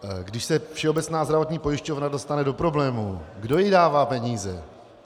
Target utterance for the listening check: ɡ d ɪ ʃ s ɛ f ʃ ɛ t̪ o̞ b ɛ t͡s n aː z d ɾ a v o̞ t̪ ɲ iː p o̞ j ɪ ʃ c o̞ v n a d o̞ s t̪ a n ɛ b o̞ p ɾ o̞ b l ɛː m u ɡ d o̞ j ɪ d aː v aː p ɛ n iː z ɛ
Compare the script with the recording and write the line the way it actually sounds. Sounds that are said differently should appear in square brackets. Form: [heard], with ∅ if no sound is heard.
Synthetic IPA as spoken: ɡ d ɪ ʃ s ɛ f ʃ ɛ [∅] o̞ b ɛ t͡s n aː z d ɾ a v o̞ t̪ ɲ iː p o̞ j ɪ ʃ c o̞ v n a d o̞ s t̪ a n ɛ [d] o̞ p ɾ o̞ b l ɛː m u ɡ d o̞ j ɪ d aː v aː p ɛ [ɲ] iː z ɛ